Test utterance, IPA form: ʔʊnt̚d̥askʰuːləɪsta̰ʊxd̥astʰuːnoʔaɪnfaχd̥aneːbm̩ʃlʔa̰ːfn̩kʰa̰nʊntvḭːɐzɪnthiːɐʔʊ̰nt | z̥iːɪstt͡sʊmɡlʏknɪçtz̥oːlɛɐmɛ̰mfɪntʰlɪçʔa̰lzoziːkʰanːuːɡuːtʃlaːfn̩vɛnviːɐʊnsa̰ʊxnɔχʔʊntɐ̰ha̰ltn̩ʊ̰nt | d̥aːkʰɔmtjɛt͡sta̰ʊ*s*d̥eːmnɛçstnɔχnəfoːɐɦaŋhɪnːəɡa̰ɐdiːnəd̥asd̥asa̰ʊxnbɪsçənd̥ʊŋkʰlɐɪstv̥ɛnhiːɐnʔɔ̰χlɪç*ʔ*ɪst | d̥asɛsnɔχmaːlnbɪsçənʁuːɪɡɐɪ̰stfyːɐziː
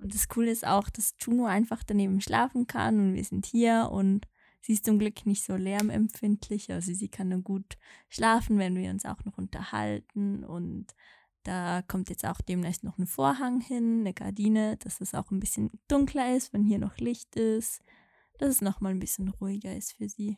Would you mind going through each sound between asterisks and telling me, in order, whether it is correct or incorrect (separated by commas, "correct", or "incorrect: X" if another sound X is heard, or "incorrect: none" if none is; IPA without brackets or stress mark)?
incorrect: x, incorrect: t